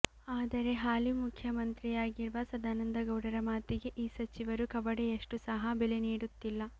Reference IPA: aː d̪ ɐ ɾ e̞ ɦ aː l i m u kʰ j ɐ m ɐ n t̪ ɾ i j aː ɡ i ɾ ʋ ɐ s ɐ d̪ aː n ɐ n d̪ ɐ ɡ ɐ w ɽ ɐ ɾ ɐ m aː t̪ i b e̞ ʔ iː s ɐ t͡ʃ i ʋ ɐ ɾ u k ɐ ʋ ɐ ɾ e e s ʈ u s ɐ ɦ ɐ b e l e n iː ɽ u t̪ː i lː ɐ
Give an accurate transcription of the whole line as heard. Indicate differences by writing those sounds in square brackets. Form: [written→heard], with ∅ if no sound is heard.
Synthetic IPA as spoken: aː d̪ ɐ ɾ e̞ ɦ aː l i m u kʰ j ɐ m ɐ n t̪ ɾ i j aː ɡ i ɾ ʋ ɐ s ɐ d̪ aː n ɐ n d̪ ɐ ɡ ɐ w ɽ ɐ ɾ ɐ m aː t̪ i [b→ɡ] e̞ ʔ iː s ɐ t͡ʃ i ʋ ɐ ɾ u k ɐ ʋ ɐ [ɾ→ɽ] e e [s→ʂ] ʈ u s ɐ ɦ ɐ b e l e n iː ɽ u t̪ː i lː ɐ